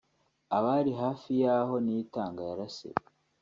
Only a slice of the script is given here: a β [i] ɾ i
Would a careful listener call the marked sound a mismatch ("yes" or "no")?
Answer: yes